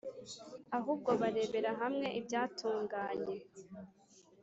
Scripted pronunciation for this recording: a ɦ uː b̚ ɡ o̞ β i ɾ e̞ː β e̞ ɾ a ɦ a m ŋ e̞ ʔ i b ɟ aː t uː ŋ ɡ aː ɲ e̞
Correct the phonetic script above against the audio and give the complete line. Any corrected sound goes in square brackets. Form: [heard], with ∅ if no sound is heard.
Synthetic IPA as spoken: a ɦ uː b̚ ɡ o̞ β [a] ɾ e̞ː β e̞ ɾ a ɦ a m ŋ e̞ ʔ i b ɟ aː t uː ŋ ɡ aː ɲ e̞